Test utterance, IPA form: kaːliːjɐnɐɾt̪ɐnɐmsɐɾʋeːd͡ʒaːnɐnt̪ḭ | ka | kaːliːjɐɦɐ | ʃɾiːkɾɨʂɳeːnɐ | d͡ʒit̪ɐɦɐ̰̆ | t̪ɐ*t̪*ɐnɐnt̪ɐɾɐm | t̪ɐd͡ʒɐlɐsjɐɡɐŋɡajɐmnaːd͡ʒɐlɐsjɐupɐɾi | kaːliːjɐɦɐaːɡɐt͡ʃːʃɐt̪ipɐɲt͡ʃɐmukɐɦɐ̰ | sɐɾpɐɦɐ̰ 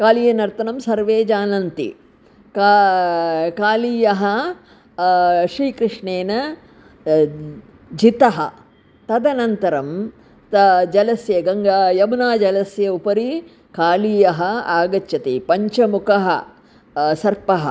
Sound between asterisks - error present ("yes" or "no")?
yes